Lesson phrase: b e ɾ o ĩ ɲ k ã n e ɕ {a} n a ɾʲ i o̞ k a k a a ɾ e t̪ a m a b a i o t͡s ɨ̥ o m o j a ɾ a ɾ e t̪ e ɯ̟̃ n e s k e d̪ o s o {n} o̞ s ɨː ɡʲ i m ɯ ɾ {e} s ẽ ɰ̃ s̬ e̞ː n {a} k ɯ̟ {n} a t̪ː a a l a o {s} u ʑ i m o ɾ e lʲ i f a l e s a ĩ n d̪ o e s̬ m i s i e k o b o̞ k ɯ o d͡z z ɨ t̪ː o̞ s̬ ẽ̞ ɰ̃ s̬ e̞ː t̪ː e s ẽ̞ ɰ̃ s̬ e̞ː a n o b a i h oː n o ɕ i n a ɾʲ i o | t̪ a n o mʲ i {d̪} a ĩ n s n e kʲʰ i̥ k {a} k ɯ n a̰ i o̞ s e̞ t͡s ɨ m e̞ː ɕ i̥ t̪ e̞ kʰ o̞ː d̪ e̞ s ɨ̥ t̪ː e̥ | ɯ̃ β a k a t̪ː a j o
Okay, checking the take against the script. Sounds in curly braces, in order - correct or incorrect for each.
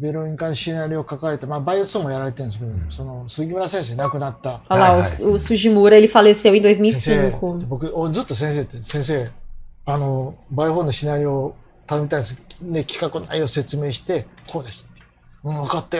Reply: incorrect: i, correct, incorrect: a, correct, correct, correct, incorrect: t̪, correct

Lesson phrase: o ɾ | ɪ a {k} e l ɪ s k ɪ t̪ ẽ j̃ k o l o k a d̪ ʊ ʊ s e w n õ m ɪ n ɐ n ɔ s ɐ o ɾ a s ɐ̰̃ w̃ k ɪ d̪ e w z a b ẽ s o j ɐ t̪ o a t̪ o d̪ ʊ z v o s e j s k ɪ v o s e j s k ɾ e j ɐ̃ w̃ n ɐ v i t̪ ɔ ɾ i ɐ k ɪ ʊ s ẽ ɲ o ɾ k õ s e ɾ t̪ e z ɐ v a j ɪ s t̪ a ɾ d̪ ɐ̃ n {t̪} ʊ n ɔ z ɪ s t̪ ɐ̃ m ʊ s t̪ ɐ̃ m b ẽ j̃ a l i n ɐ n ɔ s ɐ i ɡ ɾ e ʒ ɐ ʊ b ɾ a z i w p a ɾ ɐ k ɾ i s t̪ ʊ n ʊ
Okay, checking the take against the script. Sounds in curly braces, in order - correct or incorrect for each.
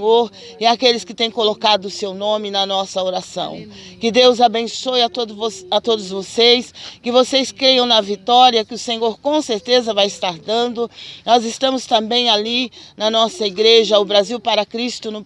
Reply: correct, incorrect: d̪

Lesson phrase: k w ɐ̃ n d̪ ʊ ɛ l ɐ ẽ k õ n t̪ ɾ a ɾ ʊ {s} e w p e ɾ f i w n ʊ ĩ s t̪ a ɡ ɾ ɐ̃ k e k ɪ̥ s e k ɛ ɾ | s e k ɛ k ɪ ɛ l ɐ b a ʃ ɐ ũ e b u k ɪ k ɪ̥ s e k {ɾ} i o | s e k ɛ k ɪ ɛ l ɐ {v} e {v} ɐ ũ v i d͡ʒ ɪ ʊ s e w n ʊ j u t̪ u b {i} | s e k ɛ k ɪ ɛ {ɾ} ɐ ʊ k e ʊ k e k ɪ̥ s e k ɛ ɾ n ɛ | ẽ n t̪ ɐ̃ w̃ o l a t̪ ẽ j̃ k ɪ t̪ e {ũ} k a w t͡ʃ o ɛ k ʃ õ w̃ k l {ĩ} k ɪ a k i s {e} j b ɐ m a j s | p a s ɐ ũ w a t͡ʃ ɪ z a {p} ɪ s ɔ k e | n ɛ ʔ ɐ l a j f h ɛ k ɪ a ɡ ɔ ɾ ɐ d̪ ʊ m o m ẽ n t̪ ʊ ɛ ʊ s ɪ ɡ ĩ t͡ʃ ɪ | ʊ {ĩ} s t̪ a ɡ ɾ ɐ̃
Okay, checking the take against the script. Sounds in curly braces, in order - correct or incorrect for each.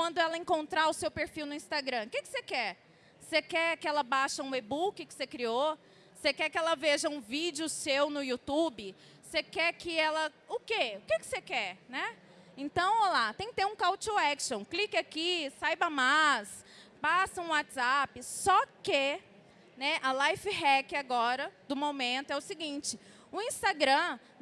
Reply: correct, correct, correct, incorrect: ʒ, incorrect: ɪ, incorrect: l, correct, incorrect: i, incorrect: a, correct, correct

